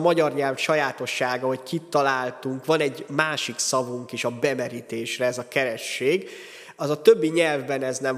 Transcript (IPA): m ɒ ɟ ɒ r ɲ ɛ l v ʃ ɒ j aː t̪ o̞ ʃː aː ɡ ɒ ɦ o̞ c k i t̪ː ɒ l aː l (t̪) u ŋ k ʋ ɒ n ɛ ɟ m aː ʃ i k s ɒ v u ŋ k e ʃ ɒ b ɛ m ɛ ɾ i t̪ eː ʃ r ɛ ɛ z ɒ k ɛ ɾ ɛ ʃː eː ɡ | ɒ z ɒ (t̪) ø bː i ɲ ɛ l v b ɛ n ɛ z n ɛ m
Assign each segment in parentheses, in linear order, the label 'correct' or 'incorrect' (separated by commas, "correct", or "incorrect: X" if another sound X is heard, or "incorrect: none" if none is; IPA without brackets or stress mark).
correct, correct